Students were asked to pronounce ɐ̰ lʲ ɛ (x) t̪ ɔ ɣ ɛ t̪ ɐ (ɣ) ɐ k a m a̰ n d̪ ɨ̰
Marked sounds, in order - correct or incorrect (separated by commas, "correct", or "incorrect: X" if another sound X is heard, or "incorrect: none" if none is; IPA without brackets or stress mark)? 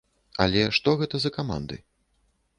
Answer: incorrect: ʂ, incorrect: z